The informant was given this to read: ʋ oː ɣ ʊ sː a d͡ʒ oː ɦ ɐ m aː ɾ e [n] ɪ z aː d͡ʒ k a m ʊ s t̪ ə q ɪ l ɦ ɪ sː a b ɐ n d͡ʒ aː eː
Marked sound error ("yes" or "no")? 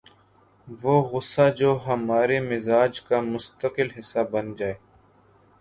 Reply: yes